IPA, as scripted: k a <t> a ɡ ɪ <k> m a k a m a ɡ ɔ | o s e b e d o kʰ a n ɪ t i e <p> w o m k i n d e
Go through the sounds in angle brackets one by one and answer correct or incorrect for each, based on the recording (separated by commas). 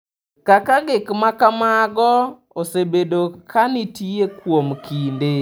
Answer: incorrect, correct, incorrect